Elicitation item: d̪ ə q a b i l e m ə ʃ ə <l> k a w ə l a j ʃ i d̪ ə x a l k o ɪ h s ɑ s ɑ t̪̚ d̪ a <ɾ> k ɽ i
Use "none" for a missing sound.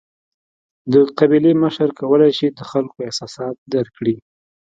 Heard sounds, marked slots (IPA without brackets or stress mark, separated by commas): ɾ, ɾ